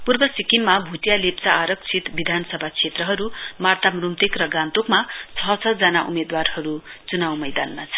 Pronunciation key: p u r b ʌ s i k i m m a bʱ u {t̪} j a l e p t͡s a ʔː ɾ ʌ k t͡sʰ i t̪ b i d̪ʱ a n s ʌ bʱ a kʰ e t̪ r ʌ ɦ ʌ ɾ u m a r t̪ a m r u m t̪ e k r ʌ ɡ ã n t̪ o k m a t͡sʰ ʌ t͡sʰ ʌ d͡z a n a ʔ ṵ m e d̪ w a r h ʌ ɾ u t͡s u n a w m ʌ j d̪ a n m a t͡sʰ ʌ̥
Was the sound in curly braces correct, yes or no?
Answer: yes